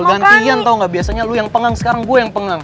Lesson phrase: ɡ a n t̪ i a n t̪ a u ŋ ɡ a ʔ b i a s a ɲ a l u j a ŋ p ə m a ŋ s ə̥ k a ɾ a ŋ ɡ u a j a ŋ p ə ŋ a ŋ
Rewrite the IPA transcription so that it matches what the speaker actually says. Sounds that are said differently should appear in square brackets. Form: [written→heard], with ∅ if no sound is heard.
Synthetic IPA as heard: ɡ a n t̪ i a n t̪ a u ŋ ɡ a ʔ b i a s a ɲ a l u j a ŋ p ə [m→ŋ] a ŋ s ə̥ k a ɾ a ŋ ɡ u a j a ŋ p ə ŋ a ŋ